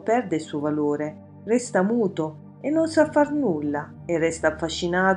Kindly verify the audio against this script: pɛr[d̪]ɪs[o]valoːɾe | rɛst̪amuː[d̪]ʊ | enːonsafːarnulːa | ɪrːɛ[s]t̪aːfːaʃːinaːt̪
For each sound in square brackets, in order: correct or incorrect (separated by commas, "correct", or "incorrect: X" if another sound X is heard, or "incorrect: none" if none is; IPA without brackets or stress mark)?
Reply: correct, incorrect: u, incorrect: t̪, correct